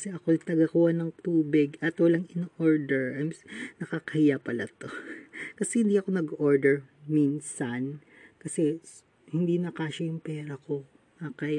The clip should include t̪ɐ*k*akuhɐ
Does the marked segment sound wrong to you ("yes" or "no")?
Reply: yes